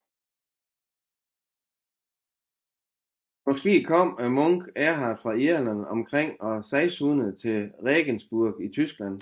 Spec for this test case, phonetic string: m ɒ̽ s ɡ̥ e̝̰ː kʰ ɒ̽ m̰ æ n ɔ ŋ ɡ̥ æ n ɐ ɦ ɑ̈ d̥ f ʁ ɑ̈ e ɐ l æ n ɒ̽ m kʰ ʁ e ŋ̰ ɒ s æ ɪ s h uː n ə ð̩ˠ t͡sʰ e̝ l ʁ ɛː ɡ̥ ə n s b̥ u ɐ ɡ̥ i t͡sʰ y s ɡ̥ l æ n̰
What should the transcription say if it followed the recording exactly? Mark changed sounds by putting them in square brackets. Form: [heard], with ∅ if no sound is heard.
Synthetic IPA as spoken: m ɒ̽ s ɡ̥ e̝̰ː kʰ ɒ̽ m̰ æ [m] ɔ ŋ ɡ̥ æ [∅] ɐ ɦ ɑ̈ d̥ f ʁ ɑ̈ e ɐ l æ n ɒ̽ m kʰ ʁ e ŋ̰ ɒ s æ ɪ s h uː n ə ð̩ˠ t͡sʰ e̝ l ʁ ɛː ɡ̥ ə n s b̥ u ɐ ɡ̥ i t͡sʰ y s ɡ̥ l æ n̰